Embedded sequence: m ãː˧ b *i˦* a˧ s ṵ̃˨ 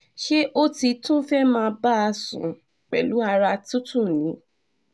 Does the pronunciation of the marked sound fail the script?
yes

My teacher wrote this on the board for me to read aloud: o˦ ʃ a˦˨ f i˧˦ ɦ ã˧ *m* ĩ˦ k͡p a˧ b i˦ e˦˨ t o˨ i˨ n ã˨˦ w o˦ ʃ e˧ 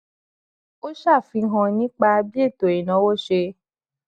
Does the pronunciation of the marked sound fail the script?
yes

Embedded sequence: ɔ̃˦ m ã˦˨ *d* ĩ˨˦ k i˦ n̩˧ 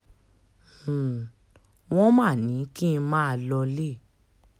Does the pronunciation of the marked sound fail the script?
yes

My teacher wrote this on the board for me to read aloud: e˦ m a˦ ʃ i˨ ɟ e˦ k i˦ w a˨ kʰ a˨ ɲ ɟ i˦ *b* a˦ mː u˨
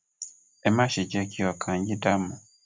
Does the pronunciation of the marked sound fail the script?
yes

